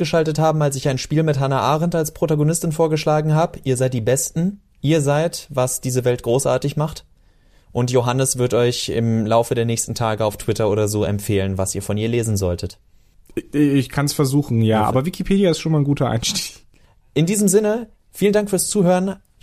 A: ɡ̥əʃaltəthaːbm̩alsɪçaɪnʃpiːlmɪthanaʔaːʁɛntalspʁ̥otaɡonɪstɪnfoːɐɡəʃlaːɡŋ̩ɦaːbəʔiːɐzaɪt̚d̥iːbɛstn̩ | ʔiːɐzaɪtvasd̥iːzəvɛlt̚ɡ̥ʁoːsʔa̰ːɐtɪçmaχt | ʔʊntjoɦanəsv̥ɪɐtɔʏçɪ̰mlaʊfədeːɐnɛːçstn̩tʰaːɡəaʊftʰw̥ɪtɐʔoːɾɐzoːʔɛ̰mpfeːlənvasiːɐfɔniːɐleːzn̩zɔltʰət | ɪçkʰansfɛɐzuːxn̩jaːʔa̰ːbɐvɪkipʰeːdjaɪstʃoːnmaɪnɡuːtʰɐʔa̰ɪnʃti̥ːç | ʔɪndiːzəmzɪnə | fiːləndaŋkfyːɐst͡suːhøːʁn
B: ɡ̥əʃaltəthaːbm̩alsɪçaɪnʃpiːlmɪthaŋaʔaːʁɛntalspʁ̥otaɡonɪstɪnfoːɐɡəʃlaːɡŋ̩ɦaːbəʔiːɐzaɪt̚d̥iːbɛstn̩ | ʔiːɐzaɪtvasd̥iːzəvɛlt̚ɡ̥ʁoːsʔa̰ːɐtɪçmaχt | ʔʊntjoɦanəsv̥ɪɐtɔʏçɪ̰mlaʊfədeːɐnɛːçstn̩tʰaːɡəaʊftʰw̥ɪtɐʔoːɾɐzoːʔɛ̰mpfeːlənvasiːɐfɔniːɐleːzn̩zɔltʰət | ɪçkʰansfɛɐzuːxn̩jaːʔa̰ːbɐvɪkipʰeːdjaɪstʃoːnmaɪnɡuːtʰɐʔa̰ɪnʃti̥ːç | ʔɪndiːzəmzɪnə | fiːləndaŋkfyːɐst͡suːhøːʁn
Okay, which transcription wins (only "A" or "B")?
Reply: A